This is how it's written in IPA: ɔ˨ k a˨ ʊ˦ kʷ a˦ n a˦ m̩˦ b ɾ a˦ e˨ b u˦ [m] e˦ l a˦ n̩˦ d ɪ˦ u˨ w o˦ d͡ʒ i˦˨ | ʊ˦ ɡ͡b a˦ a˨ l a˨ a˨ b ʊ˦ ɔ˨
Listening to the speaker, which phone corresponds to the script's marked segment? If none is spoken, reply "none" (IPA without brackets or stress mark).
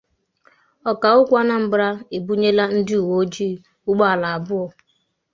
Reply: ɲ